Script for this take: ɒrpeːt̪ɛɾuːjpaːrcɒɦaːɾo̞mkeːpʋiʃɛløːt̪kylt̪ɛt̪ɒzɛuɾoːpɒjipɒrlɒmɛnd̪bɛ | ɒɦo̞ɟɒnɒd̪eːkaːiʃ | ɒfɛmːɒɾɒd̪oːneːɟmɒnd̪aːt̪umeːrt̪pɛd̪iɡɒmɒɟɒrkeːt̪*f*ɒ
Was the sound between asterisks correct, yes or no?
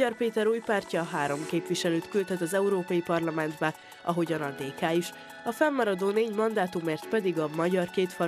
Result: yes